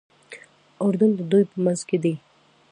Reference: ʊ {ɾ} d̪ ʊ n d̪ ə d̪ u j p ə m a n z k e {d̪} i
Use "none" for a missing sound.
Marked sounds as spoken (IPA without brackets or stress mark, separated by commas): ɾ, d̪